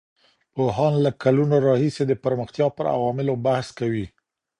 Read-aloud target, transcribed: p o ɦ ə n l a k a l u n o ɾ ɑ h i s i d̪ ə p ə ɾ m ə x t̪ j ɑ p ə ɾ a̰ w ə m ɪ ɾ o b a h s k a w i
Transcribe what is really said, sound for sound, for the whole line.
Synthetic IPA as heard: p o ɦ ɑ n l a k a l u n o ɾ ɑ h i s e d̪ ə p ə ɾ m ə x t̪ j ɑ p ə ɾ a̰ w ɑ m ɪ l o b a h s k a w i